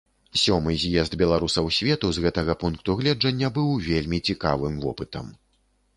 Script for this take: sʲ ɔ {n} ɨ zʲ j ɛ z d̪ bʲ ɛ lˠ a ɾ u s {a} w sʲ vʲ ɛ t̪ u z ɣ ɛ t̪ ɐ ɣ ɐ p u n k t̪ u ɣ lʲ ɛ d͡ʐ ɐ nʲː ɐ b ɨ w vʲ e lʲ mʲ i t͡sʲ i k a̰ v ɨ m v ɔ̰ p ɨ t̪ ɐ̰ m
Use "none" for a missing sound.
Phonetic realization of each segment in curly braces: m, ɐ

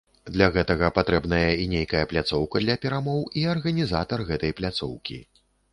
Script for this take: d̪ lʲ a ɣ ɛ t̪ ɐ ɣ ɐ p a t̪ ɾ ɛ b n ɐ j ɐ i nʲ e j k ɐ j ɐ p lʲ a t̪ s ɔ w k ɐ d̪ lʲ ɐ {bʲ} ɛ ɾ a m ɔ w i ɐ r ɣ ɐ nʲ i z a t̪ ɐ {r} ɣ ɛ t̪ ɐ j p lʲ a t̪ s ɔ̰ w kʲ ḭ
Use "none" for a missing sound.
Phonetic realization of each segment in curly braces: pʲ, r

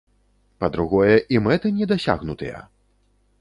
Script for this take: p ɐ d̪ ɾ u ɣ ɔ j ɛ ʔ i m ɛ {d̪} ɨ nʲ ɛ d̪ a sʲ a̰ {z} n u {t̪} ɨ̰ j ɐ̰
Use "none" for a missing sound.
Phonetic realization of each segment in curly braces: t̪, ɣ, t̪

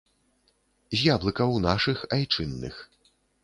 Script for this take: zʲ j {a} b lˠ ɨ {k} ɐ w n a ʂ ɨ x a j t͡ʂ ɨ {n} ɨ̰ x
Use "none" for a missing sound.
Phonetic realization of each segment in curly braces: a, k, nː

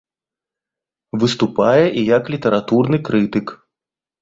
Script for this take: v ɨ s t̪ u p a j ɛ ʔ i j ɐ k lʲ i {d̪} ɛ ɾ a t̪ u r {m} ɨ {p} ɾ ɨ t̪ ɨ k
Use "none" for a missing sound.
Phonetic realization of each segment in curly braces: t̪, n, k

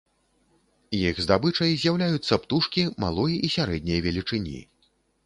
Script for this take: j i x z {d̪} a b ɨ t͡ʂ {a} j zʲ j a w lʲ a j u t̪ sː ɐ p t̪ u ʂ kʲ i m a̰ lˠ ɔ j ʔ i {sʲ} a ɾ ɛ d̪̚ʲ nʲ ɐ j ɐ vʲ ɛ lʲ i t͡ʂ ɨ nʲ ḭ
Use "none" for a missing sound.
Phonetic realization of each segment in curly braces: d̪, ɐ, sʲ

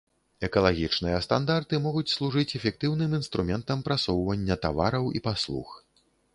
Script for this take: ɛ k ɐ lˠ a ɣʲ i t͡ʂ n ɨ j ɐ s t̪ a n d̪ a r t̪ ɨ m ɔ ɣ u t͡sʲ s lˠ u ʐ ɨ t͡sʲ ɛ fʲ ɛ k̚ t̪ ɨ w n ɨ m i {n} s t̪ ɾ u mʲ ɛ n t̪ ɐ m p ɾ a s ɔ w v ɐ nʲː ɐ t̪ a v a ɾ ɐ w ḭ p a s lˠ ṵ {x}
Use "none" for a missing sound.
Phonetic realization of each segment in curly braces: n, x

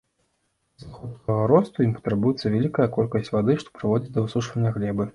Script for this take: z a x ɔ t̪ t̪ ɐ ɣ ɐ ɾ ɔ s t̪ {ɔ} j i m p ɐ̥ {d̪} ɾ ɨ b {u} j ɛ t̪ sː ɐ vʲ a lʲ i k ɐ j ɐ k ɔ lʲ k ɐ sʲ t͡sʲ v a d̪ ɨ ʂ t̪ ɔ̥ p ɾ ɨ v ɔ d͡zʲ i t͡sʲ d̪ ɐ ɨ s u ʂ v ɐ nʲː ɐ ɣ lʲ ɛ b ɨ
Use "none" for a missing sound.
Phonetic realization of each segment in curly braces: u, t̪, u

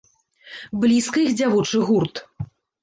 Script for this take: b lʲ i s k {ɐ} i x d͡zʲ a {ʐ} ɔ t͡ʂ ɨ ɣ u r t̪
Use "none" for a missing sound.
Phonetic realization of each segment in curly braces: ɐ, v

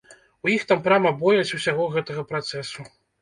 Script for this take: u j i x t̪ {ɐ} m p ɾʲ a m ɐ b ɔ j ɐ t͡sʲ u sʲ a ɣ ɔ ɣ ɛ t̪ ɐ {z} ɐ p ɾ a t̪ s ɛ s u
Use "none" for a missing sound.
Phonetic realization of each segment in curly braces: a, ɣ

